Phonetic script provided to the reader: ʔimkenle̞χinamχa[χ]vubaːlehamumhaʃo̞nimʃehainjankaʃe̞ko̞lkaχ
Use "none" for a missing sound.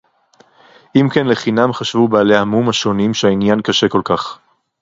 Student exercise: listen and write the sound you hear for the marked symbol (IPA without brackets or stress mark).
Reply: ʃ